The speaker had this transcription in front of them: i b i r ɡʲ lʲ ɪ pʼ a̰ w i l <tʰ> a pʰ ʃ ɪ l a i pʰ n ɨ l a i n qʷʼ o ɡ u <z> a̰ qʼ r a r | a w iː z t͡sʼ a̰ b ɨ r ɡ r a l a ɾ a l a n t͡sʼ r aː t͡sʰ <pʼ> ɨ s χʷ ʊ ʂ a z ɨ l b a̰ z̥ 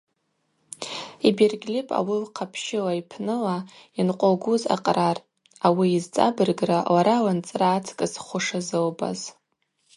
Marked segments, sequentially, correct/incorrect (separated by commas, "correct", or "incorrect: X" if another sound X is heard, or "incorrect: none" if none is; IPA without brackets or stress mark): incorrect: qʰ, correct, incorrect: kʼ